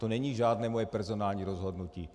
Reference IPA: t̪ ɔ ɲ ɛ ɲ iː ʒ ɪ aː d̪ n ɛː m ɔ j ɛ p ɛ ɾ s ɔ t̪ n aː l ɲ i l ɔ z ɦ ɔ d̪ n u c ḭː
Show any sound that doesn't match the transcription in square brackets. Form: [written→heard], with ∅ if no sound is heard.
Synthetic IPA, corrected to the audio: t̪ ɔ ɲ ɛ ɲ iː ʒ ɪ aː d̪ n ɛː m ɔ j ɛ p ɛ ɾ [s→z] ɔ [t̪→∅] n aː l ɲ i [l→ɾ] ɔ z ɦ ɔ d̪ n u c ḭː